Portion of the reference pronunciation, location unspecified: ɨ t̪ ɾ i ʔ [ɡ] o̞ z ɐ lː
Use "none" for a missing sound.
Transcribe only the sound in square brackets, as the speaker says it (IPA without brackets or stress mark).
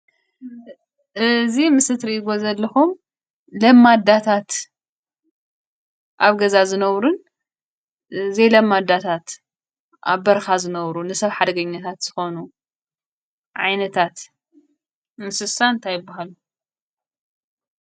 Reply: ɡ